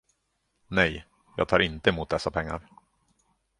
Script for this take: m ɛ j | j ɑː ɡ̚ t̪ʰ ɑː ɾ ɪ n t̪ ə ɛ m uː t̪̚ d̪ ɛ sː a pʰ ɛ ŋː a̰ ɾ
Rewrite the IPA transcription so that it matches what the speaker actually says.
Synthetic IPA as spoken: n ɛ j | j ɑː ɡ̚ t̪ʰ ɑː ɾ ɪ n t̪ ə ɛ m uː t̪̚ d̪ ɛ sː a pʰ ɛ ŋː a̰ ɾ